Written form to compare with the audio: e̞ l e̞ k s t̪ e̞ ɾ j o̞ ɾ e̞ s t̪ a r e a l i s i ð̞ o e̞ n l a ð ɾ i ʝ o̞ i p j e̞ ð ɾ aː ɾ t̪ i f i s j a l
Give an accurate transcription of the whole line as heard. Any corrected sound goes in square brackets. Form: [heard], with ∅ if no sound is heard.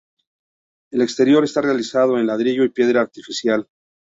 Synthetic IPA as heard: e̞ l e̞ k s t̪ e̞ ɾ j o̞ ɾ e̞ s t̪ a r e a l i s [a] ð̞ o e̞ n l a ð ɾ i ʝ o̞ i p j e̞ ð ɾ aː ɾ t̪ i f i s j a l